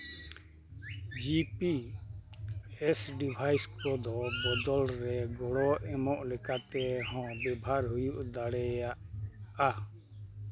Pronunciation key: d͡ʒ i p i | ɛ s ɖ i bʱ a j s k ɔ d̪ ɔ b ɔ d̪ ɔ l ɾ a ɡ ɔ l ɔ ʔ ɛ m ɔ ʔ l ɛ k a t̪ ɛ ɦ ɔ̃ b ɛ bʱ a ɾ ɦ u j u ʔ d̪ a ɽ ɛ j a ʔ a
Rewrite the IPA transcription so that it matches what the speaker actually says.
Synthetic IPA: d͡ʒ i p i | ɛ s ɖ i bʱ a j s k ɔ d̪ ɔ b ɔ d̪ ɔ l ɾ ɛ ɡ ɔ ɽ ɔ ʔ ɛ m ɔ ʔ l ɛ k a t̪ ɛ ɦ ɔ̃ b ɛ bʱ a ɾ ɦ u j u ʔ d̪ a ɽ ɛ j a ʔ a